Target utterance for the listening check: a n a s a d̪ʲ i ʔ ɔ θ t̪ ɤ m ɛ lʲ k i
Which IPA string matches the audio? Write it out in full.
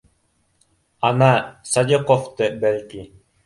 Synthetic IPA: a n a s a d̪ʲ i q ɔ f t̪ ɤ b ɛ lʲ k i